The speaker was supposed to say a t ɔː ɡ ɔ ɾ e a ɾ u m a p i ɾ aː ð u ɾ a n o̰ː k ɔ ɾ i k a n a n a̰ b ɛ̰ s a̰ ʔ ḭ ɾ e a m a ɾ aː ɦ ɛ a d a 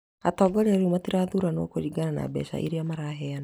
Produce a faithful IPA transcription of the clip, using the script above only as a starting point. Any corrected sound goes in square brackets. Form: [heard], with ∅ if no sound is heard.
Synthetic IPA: a t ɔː ɡ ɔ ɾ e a ɾ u m a [t] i ɾ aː ð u ɾ a n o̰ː k [o] ɾ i [ɡ] a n a n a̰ b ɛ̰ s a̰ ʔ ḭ ɾ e a m a ɾ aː ɦ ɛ a [n] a